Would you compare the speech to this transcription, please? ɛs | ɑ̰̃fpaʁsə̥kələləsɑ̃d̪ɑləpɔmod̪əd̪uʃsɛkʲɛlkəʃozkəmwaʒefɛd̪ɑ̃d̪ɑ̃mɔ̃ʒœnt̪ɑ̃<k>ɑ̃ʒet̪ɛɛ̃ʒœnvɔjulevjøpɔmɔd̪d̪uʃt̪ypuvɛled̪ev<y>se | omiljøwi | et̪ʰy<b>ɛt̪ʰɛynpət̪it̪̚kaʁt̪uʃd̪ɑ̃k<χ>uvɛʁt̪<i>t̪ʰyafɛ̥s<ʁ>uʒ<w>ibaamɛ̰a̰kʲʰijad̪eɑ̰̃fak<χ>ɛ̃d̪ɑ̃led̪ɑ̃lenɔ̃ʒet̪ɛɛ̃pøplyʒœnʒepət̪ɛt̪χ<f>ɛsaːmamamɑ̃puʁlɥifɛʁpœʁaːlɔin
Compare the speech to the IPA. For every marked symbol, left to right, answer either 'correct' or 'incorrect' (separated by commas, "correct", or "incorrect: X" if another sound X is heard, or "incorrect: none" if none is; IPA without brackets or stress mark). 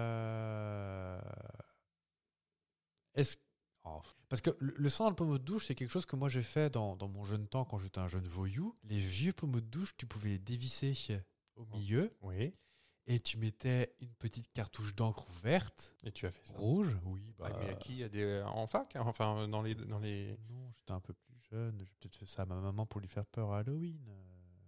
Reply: correct, incorrect: i, incorrect: m, correct, incorrect: e, correct, correct, incorrect: f, correct